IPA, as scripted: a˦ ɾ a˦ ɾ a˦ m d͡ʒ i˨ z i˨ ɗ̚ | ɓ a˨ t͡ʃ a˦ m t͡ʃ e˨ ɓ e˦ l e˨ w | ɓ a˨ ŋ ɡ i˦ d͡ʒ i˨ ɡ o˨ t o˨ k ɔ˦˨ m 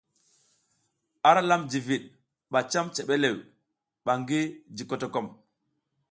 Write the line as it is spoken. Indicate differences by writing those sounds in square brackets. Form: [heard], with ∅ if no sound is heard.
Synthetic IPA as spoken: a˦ ɾ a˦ [l] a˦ m d͡ʒ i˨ [v] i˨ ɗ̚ | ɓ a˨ t͡ʃ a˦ m t͡ʃ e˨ ɓ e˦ l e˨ w | ɓ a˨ ŋ ɡ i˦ d͡ʒ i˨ [k] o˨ t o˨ k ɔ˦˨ m